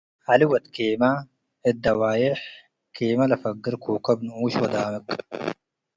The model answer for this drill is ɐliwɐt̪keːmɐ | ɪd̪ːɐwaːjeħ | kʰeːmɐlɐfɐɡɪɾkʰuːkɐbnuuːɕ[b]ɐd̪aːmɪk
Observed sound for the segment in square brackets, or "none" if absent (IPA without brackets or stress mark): w